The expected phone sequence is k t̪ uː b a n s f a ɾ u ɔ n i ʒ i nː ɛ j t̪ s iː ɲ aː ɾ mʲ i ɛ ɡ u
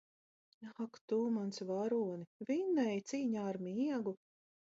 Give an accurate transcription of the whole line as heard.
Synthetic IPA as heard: k t̪ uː m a n s v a ɾ u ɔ n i v i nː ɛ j t̪ s iː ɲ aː ɾ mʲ i ɛ ɡ u